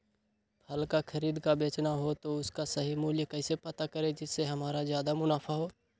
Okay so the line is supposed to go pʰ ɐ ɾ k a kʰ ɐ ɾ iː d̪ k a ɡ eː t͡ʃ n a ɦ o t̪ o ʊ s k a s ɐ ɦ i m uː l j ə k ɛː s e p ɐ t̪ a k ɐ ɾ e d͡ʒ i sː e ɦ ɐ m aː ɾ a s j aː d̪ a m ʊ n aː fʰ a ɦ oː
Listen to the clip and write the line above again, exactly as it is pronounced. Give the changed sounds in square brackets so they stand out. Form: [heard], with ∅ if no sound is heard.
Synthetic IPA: pʰ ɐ [l] k a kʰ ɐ ɾ iː d̪ k a [b] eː t͡ʃ n a ɦ o t̪ o ʊ s k a s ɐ ɦ i m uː l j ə k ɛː s e p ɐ t̪ a k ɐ ɾ e d͡ʒ [ɪ] sː e ɦ ɐ m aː ɾ a [z] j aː d̪ a m ʊ n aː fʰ a ɦ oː